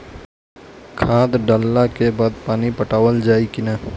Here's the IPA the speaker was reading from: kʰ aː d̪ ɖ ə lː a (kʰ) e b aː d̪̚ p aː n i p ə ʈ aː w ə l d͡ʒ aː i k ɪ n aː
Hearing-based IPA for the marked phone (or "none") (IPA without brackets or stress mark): k